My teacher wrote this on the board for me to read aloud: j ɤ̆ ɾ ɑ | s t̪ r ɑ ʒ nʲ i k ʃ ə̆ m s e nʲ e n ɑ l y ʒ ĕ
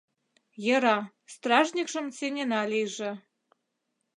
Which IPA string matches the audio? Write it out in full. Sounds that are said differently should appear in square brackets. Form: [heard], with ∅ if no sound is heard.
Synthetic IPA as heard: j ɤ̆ ɾ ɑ | s t̪ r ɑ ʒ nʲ i k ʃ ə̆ m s e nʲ e n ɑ l [i] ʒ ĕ